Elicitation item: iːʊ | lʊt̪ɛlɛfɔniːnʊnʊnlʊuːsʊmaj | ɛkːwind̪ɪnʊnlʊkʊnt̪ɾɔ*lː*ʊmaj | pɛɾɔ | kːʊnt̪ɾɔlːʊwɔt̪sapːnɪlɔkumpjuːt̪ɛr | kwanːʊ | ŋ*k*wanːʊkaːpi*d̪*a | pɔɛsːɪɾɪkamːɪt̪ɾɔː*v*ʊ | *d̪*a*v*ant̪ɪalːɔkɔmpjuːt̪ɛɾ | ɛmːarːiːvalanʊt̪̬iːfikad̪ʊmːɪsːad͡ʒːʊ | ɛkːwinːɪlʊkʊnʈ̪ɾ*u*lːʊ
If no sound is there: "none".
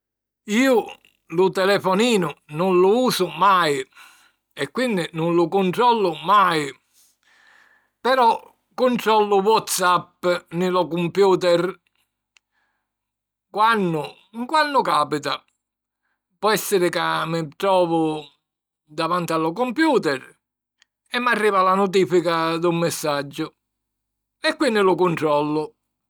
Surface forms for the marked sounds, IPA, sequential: lː, k, t̪, v, d̪, v, ɔ

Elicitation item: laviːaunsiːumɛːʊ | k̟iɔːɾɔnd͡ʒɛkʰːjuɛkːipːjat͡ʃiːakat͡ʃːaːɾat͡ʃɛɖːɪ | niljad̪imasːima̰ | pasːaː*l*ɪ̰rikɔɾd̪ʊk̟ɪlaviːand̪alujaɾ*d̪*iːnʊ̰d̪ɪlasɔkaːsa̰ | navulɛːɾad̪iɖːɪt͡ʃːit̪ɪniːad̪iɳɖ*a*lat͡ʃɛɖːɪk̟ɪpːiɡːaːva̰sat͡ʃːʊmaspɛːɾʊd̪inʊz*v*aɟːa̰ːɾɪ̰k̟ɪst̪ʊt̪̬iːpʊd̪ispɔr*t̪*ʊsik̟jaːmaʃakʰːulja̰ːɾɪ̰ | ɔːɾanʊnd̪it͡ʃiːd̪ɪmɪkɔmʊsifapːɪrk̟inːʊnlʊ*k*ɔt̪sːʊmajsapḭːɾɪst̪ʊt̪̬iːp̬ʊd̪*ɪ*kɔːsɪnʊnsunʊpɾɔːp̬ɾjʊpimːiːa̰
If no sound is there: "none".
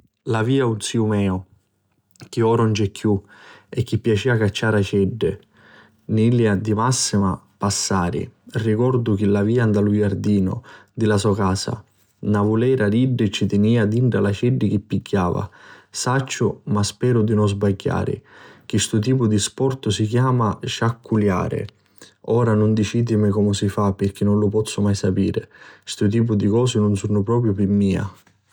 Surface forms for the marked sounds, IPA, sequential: ɾ, d̪, a, b, t̪, p, i

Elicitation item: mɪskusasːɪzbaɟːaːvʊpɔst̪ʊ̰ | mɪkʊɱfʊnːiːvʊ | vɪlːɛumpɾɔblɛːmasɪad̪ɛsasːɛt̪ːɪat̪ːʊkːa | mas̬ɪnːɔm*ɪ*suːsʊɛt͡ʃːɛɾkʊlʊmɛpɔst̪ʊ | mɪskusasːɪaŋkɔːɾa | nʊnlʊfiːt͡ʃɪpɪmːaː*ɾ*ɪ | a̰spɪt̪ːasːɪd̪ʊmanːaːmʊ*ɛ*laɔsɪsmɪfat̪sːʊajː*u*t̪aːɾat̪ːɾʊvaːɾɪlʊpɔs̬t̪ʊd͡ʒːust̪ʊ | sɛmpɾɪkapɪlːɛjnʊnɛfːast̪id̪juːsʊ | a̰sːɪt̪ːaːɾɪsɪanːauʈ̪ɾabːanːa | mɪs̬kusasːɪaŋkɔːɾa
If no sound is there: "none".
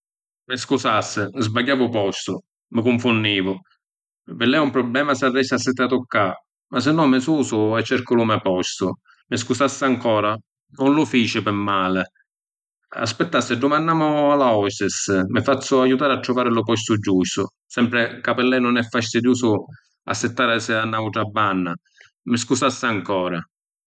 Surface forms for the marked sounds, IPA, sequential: ɪ, l, a, u

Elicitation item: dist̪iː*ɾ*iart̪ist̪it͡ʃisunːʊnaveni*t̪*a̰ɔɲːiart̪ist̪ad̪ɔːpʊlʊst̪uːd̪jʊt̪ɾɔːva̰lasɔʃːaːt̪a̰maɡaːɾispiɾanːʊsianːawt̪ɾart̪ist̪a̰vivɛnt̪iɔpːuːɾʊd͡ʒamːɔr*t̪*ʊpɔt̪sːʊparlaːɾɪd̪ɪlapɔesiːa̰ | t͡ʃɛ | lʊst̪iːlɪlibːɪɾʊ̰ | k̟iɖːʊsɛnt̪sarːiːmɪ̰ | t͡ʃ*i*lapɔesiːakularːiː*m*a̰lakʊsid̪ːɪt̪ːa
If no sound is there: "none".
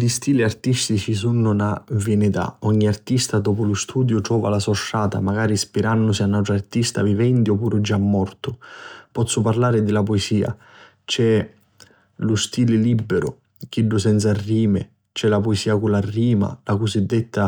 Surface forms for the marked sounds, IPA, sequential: l, t̪, t̪, ɛ, m

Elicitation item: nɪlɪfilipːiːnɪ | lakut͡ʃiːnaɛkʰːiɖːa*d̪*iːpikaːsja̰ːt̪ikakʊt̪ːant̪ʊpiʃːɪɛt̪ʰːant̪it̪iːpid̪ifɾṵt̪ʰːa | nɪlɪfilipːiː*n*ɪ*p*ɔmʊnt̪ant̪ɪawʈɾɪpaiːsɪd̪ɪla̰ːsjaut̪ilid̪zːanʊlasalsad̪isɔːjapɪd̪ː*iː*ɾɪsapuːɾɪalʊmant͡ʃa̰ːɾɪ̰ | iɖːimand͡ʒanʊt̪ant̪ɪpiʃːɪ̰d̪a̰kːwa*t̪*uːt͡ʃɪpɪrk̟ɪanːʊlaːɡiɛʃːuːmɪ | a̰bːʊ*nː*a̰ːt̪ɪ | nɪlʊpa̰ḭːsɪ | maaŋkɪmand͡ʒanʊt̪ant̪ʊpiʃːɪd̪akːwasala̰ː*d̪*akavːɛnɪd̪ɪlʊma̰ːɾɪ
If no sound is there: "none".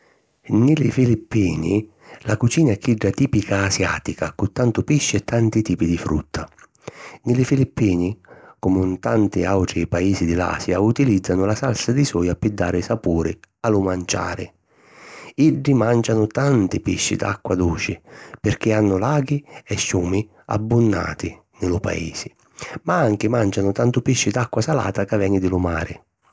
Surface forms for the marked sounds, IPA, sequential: t̪, n, k, aː, d̪, nː, t̪

